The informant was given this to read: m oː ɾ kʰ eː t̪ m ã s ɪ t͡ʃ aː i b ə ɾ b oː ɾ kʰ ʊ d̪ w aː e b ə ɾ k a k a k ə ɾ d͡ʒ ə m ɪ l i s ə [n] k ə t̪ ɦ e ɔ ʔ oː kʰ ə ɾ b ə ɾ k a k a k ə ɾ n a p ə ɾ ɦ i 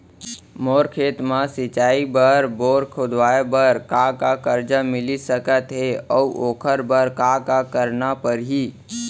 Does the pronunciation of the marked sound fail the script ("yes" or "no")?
yes